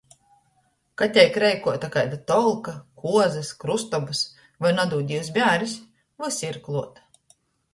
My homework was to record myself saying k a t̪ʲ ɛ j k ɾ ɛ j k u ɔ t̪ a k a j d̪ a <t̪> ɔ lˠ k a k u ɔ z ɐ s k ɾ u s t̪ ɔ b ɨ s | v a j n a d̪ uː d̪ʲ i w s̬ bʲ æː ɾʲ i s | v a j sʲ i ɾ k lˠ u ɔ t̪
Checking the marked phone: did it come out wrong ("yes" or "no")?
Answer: no